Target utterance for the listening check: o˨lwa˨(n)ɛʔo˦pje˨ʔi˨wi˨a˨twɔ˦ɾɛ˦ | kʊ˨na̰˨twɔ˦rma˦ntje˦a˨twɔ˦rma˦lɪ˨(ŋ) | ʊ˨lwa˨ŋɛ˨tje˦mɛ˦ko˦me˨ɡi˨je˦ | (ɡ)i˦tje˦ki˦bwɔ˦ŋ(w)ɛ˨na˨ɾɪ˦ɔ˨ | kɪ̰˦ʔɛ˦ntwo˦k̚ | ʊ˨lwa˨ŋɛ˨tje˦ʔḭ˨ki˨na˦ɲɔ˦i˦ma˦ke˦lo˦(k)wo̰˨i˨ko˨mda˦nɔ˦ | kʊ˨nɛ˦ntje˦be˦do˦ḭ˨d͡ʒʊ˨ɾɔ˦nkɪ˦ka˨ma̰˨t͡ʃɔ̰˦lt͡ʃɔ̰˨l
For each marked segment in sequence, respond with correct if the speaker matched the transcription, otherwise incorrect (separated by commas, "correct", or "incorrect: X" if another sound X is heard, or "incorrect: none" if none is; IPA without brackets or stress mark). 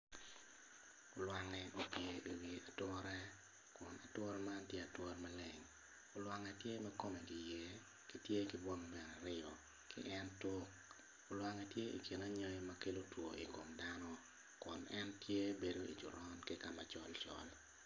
incorrect: ŋ, correct, incorrect: k, incorrect: b, incorrect: t